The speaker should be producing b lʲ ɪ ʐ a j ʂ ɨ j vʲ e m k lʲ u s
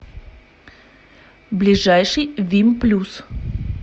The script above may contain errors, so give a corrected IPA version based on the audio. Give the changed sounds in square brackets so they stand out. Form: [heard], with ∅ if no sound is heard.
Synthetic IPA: b lʲ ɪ ʐ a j ʂ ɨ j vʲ [i] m [p] lʲ u s